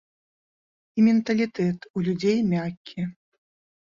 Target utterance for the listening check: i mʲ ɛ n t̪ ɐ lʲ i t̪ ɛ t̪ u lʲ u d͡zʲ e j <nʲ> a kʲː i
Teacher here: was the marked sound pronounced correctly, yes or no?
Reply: no